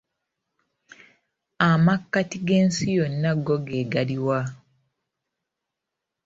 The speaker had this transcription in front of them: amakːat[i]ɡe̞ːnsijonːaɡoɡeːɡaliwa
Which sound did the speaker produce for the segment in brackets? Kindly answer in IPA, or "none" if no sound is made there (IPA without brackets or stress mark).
i